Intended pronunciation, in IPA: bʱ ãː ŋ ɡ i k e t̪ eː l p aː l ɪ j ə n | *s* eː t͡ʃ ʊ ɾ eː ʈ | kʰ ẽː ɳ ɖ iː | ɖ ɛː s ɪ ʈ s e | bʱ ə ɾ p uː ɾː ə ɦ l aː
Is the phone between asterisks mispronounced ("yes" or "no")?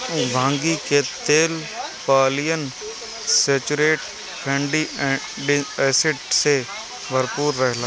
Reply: no